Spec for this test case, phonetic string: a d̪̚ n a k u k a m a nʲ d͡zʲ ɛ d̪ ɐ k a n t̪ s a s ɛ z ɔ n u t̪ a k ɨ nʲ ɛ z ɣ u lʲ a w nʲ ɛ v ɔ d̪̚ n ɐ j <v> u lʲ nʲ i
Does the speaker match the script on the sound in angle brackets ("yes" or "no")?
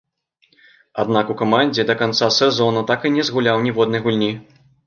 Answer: no